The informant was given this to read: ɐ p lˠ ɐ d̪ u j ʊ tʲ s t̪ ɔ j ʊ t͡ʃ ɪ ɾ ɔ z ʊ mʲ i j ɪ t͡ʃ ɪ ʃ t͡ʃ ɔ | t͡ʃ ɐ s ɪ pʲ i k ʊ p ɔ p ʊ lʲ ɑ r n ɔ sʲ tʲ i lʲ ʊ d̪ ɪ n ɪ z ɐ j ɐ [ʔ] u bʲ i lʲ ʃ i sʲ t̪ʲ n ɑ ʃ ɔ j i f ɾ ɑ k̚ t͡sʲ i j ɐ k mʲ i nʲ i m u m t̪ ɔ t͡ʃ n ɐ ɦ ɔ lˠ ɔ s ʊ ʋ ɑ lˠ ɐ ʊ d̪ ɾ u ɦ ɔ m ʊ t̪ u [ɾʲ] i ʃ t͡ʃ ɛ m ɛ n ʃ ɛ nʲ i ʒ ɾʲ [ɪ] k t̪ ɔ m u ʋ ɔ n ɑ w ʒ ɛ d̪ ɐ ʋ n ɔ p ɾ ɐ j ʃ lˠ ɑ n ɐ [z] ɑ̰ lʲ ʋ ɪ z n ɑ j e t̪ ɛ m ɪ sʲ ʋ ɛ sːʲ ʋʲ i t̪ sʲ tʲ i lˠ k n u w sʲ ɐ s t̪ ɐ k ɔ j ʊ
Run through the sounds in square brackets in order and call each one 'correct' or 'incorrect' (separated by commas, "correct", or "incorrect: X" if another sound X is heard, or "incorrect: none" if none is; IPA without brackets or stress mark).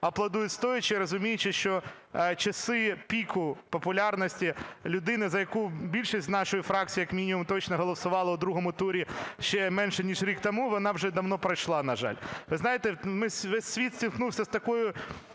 incorrect: k, correct, incorrect: i, incorrect: ʒ